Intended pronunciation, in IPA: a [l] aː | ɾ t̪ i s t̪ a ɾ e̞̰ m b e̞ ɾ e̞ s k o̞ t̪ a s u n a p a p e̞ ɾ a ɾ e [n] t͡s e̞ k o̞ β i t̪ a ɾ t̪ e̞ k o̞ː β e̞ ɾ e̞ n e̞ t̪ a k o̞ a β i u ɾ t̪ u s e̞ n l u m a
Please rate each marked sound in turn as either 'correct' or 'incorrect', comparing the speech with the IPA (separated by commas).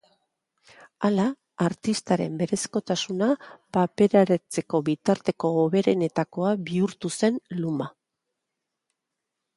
correct, incorrect